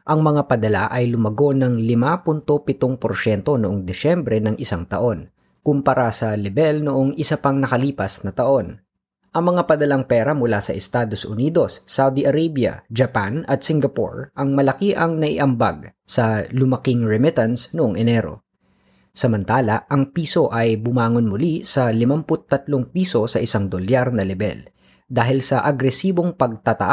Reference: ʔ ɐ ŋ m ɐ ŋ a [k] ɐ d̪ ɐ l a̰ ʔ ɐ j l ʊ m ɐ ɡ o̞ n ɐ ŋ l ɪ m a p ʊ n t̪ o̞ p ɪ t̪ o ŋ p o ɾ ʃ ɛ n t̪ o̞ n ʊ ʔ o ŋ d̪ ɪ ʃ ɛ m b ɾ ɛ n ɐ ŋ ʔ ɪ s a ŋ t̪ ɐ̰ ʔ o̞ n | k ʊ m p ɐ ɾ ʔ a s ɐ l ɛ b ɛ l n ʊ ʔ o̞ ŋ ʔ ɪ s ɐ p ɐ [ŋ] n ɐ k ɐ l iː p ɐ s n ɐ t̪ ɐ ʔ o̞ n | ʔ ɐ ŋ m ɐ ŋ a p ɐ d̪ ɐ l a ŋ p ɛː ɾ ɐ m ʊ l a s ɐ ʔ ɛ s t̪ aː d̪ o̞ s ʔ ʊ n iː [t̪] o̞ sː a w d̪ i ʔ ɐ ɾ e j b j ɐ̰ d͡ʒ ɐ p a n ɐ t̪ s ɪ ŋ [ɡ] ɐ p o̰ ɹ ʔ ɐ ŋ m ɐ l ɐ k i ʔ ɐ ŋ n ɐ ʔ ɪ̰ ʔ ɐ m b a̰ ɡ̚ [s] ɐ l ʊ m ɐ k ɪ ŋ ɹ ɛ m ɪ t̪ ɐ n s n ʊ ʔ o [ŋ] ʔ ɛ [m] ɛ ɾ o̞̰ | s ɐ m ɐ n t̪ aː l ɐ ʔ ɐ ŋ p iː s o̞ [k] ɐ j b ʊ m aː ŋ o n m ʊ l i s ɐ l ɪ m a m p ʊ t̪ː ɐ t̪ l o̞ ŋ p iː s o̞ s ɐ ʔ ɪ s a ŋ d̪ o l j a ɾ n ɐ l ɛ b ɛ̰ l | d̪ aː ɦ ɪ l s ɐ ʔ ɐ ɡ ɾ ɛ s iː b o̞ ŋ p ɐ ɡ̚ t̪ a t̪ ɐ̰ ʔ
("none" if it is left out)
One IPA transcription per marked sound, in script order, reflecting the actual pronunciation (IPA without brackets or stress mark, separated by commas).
p, ŋ, d̪, ɡ, s, ŋ, n, ʔ